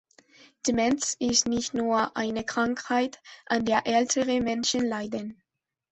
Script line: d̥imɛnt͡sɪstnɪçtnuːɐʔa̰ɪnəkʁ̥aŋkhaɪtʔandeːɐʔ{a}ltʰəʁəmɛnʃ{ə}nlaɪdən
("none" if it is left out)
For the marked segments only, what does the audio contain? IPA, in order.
ɛ, ə

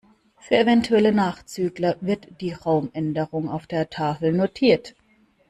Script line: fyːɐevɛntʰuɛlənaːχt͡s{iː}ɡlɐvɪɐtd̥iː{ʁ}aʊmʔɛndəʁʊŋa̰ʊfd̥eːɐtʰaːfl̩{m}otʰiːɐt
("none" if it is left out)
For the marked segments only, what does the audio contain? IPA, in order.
yː, ʁ, n

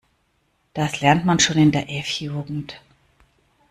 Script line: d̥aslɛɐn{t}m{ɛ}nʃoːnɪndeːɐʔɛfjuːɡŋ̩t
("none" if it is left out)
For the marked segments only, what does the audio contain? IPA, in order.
t, a

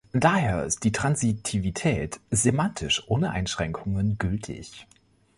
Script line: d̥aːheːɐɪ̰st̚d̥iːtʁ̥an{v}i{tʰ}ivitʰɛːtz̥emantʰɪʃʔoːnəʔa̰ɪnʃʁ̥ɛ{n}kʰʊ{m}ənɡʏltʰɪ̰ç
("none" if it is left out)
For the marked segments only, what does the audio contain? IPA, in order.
z, tʰ, ŋ, ŋ

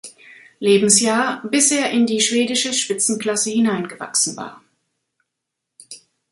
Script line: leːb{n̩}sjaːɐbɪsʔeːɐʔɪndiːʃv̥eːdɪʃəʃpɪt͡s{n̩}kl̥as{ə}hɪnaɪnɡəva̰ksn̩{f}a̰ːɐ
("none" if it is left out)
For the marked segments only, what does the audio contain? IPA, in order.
m̩, n̩, ə, v

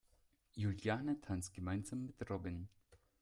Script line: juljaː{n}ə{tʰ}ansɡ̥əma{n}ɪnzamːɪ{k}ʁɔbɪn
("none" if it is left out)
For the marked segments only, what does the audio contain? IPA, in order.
n, tʰ, none, t

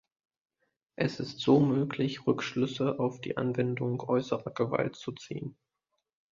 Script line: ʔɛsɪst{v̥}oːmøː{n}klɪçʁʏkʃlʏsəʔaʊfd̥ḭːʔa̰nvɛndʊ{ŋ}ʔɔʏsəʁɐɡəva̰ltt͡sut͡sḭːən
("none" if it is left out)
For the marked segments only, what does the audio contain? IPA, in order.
z̥, none, ŋ

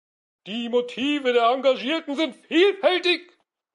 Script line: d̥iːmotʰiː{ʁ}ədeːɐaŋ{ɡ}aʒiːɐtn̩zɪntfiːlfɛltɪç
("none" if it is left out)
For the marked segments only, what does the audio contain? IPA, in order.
v, ɡ

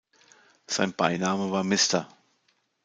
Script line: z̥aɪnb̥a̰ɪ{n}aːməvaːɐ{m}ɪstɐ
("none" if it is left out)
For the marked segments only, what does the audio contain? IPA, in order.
n, m

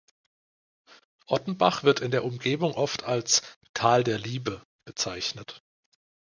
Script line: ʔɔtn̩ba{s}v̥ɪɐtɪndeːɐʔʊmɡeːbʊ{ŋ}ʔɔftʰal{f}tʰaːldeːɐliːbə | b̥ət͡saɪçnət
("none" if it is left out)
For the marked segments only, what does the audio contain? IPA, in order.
χ, ŋ, s

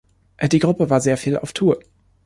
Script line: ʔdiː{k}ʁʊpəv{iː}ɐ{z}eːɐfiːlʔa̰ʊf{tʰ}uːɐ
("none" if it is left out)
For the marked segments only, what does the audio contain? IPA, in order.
ɡ, aː, z, tʰ

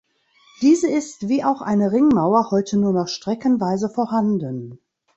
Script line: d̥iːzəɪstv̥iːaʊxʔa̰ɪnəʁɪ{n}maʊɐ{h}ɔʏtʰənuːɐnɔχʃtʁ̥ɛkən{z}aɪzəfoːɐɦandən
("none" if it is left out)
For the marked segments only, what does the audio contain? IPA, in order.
ŋ, h, v

